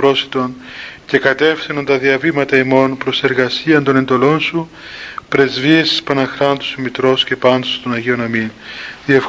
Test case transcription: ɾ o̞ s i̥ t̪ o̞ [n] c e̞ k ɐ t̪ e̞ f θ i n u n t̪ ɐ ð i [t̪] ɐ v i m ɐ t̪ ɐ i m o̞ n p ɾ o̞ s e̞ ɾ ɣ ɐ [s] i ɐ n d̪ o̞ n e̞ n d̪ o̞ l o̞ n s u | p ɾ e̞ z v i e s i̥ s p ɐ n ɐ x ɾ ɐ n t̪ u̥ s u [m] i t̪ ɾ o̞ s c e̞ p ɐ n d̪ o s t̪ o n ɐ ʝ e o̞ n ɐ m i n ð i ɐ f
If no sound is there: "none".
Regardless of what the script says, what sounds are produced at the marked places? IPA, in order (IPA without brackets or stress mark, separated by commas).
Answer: n, none, s, m